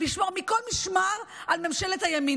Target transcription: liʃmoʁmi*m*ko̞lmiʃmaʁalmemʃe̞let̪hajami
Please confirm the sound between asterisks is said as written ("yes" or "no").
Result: no